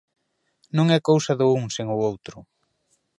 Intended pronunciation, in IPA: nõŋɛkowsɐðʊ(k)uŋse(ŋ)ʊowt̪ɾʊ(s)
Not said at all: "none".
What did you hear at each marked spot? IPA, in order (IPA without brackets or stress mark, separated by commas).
none, ŋ, none